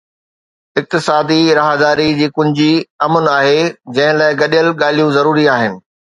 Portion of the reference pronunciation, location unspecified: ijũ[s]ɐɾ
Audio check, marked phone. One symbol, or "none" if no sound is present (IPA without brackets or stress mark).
z